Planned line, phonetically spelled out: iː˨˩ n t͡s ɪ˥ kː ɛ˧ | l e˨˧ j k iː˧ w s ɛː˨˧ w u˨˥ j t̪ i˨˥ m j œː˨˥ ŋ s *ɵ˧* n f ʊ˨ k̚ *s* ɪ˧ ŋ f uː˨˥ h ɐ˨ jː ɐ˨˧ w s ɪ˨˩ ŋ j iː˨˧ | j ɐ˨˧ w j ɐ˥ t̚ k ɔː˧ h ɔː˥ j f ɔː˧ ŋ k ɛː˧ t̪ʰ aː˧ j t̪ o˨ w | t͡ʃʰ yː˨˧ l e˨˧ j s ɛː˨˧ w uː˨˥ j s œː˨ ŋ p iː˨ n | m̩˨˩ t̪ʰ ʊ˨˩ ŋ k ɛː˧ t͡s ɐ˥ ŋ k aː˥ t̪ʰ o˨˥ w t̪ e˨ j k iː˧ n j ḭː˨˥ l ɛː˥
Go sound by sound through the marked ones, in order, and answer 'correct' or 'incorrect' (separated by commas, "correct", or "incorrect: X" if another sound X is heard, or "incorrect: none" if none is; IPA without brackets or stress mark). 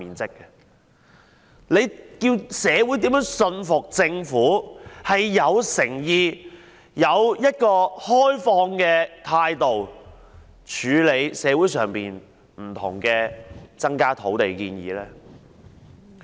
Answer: correct, incorrect: t͡s